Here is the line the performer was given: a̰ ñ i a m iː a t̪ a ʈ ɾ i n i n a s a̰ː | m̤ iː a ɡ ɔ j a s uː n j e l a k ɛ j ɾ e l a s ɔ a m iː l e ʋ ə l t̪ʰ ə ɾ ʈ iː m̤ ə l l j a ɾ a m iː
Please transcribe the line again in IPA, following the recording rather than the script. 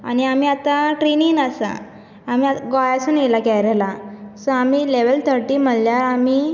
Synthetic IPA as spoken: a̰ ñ i a m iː a t̪ a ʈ ɾ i n i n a s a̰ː | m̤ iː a ɡ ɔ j a s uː n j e l a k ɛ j ɾ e l a s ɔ a m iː l e ʋ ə l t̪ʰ ə ɾ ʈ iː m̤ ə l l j a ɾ a m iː